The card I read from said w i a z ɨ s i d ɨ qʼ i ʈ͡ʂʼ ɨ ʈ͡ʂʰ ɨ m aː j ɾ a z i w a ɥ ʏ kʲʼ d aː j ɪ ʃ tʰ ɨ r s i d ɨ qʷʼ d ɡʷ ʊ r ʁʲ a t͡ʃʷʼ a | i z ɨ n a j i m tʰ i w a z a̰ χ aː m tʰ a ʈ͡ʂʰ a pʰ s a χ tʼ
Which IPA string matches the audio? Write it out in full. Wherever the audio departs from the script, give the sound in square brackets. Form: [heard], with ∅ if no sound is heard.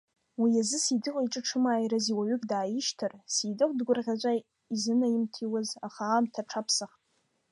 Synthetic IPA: w i a z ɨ s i d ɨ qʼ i ʈ͡ʂʼ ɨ ʈ͡ʂʰ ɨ m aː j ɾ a z i w a ɥ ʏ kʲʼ d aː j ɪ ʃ tʰ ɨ r s i d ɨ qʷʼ d ɡʷ ʊ r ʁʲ a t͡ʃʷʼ a | i z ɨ n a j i m tʰ i w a z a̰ χ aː m tʰ a ʈ͡ʂʰ a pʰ s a χ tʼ